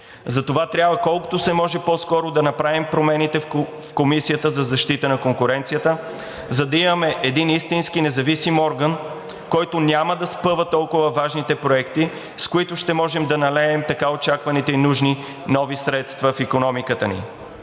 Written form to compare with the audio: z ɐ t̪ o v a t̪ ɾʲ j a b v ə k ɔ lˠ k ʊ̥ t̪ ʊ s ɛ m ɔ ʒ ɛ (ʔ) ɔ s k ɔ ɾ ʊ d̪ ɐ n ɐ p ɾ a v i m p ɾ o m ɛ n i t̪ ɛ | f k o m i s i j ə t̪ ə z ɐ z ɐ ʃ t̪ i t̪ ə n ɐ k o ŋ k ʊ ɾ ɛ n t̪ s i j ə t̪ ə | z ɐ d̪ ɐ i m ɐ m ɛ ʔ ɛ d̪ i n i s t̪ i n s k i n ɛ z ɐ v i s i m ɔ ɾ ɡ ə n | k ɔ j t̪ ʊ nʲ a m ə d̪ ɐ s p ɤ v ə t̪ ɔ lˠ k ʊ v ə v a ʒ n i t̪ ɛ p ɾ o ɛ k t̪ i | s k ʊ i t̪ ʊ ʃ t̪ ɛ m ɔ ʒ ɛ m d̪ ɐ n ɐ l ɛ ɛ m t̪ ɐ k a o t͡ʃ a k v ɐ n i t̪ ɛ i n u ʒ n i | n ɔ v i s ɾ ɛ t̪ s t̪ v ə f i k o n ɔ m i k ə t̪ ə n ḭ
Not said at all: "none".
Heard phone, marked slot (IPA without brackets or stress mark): p